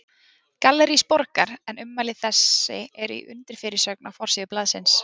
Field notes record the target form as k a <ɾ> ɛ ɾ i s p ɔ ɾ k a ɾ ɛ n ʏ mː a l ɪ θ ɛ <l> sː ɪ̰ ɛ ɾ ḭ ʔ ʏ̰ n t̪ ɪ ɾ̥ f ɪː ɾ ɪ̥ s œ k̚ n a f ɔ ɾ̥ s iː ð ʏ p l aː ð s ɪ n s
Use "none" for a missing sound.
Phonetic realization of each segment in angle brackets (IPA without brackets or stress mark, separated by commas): l, none